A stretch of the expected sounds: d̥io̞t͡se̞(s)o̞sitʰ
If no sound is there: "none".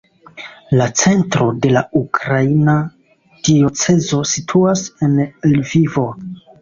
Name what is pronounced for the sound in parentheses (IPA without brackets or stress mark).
z